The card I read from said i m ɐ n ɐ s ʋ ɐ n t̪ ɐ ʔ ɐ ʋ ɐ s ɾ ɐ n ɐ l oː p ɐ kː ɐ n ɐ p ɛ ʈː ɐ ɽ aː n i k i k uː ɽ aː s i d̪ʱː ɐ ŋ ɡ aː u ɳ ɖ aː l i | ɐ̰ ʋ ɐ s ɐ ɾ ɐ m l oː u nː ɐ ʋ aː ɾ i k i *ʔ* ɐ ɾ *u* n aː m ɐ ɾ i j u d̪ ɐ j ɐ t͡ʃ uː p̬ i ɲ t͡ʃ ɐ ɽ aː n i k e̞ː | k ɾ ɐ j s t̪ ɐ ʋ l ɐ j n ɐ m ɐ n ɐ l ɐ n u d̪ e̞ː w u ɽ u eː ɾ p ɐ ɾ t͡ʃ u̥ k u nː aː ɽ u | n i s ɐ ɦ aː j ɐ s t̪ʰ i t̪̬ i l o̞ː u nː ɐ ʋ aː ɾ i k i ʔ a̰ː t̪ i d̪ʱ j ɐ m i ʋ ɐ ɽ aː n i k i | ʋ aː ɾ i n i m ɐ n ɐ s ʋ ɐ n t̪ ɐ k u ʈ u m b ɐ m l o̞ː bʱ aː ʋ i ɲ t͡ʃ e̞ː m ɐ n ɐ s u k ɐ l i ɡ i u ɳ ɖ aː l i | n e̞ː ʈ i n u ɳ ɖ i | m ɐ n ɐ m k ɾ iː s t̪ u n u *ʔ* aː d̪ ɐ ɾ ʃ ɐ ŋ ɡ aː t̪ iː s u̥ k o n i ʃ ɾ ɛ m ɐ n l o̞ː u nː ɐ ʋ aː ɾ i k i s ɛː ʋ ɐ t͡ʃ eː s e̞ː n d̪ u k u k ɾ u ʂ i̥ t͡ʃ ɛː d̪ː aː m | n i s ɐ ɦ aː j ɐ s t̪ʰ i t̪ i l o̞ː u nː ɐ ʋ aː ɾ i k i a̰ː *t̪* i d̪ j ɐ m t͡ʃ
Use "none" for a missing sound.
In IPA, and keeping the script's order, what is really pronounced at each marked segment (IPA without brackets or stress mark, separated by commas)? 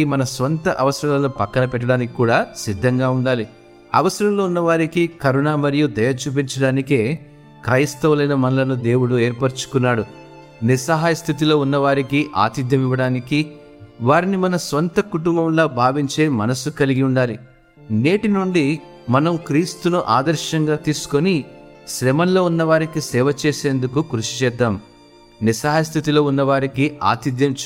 k, u, ʔ, t̪